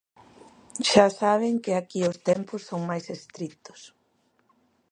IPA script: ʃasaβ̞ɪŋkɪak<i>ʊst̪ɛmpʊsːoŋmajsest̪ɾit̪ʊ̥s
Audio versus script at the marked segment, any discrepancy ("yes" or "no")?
no